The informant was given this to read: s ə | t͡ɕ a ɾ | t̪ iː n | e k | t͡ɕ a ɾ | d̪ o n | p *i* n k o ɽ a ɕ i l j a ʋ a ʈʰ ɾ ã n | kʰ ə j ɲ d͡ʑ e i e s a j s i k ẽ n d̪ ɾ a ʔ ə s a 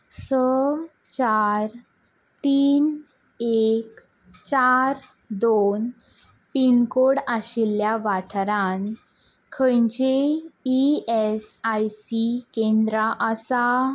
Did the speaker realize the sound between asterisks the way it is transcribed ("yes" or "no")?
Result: yes